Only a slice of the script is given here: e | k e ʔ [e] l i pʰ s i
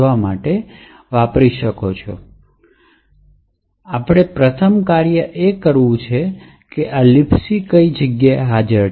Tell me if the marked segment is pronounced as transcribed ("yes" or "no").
no